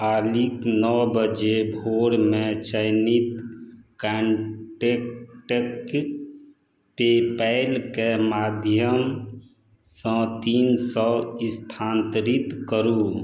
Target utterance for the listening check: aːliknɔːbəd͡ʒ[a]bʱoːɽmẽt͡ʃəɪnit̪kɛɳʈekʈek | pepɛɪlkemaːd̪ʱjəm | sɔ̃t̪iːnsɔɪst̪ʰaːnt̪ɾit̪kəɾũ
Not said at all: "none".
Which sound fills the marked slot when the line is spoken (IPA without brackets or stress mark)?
e